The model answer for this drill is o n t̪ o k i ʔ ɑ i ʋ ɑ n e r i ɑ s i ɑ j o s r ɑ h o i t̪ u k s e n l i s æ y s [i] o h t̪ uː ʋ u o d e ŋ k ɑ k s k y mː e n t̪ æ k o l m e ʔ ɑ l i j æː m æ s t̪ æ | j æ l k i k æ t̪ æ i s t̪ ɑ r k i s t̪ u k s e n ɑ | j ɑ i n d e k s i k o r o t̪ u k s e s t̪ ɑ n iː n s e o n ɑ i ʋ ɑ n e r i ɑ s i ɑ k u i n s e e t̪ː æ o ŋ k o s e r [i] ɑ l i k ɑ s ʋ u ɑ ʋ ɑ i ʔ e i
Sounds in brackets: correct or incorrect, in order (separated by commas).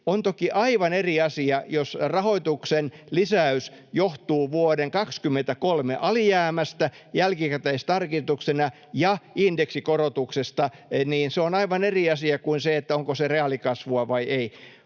incorrect, incorrect